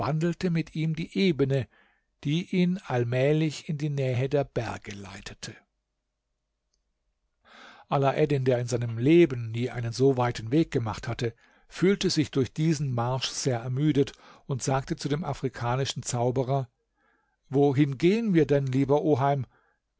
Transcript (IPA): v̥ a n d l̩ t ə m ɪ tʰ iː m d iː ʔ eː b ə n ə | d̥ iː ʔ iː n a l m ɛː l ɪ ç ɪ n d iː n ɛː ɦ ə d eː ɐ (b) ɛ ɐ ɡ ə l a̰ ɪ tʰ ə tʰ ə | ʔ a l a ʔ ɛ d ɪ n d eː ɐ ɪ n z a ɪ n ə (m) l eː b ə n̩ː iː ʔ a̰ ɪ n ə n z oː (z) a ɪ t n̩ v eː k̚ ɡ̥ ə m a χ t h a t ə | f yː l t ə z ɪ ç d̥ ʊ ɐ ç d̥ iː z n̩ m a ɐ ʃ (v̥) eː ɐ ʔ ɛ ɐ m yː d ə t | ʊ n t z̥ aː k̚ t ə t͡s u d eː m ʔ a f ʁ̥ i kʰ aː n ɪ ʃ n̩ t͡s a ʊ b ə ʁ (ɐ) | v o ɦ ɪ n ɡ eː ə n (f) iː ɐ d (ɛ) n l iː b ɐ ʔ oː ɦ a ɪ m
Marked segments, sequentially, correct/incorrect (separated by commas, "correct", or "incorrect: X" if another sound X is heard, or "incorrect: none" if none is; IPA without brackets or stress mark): correct, correct, incorrect: v, incorrect: z̥, correct, incorrect: v, correct